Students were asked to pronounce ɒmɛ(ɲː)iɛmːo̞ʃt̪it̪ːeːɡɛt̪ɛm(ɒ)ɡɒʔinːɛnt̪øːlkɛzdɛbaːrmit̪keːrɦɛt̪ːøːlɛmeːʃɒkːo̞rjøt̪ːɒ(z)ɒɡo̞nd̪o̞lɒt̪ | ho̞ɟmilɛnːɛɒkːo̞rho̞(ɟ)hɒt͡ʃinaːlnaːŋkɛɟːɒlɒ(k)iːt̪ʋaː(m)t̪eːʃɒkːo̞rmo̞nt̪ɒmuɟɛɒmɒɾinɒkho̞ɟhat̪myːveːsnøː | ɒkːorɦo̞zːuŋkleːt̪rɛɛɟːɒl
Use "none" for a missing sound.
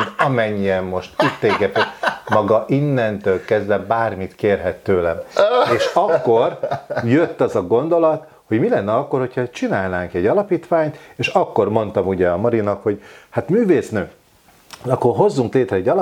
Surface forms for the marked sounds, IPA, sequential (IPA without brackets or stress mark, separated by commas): ɲː, ɒ, z, c, p, ɲ